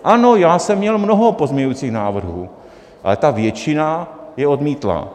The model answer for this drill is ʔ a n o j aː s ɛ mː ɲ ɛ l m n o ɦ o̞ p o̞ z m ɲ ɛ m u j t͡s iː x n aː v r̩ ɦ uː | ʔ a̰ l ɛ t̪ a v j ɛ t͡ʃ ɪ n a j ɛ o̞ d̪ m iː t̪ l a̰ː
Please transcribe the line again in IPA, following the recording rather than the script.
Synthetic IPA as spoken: ʔ a n o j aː s ɛ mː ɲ ɛ l m n o ɦ o̞ p o̞ z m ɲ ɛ ɲ u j t͡s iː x n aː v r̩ ɦ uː | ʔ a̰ l ɛ t̪ a v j ɛ t͡ʃ ɪ n a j ɛ o̞ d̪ m iː t̪ l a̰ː